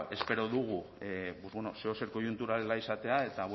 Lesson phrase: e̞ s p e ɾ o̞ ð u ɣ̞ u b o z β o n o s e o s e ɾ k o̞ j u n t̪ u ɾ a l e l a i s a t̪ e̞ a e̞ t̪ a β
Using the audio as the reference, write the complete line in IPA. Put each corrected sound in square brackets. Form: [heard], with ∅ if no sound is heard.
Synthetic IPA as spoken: e̞ s p e ɾ o̞ ð u ɣ̞ u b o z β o n o s e o s e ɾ k o̞ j u n t̪ u ɾ a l e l a i s a t̪ e̞ a e̞ t̪ a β